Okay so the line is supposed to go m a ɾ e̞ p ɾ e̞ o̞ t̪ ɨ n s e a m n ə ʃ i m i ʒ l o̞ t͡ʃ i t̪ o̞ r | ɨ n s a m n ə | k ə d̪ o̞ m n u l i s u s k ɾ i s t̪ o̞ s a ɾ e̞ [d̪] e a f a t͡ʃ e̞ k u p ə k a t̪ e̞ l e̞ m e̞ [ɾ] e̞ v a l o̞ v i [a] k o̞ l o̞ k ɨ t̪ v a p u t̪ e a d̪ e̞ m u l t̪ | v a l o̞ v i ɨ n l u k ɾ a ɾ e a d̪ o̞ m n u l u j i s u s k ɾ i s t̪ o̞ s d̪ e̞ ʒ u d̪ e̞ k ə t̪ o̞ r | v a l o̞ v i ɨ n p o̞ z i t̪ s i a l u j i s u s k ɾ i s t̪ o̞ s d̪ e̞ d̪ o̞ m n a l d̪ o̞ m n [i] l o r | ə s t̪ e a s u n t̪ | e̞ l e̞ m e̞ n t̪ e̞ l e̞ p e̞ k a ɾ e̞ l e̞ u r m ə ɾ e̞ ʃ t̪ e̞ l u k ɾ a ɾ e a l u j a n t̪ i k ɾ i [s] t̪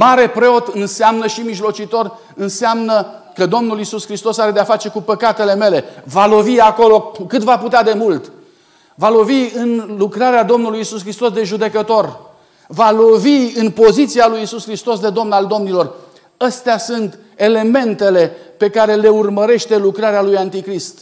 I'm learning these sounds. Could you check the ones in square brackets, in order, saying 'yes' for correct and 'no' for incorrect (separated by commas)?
yes, no, yes, yes, yes